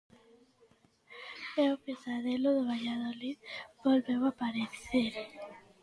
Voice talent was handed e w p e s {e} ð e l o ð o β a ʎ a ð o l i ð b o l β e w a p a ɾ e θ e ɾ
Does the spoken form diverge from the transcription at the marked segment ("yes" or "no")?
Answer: yes